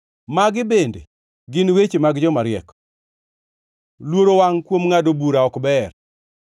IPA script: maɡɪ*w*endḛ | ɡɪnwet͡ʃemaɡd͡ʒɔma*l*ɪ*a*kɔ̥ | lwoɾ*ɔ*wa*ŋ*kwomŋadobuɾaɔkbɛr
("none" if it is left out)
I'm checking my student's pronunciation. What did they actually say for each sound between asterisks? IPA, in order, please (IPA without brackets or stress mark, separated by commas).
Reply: b, ɾ, ɛ, o, ŋ